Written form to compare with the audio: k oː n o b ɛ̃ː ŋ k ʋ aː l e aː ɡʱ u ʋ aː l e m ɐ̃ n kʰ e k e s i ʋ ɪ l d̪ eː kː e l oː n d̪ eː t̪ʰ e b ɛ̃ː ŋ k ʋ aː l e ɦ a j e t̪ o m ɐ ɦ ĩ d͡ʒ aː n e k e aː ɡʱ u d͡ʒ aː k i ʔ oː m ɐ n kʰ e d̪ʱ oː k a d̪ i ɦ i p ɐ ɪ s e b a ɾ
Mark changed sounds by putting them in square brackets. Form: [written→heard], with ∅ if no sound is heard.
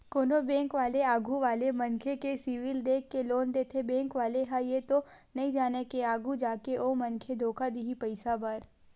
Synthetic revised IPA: k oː n o b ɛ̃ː ŋ k ʋ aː l e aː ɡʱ u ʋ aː l e m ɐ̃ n kʰ e k e s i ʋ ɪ l d̪ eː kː e l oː n d̪ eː t̪ʰ e b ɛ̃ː ŋ k ʋ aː l e ɦ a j e t̪ o [m→n] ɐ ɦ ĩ d͡ʒ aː n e k e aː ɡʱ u d͡ʒ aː k [i→e] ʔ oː m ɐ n kʰ e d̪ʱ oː k a d̪ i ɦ i p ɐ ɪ s [e→a] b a ɾ